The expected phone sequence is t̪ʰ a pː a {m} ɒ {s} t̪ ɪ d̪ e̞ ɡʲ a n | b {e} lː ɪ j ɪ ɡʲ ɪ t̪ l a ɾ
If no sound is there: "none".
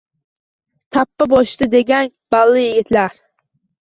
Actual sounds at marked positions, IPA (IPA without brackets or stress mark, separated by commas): b, ʃ, a